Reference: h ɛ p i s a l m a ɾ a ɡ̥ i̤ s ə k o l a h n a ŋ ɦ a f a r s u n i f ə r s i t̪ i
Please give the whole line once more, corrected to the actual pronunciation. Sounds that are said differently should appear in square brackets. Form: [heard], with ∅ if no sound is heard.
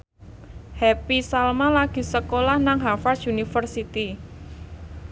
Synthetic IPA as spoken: h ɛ p i s a l m a [l] a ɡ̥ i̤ s ə k o l a h n a ŋ ɦ a f a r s u n i f ə r s i t̪ i